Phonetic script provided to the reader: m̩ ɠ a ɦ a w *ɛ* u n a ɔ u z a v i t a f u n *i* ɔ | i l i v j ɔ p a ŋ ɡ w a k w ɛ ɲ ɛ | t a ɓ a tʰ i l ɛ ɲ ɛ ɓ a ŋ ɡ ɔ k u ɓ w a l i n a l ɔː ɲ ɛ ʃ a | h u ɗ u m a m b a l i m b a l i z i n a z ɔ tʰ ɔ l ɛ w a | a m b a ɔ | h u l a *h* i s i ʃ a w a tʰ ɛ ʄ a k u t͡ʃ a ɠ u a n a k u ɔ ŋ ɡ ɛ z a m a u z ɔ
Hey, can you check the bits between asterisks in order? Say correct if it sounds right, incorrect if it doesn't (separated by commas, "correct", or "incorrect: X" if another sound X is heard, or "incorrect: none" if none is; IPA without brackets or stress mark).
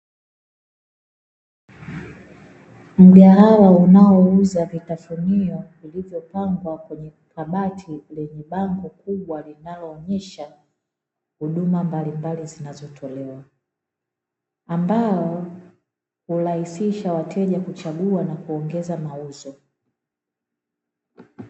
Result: incorrect: a, correct, correct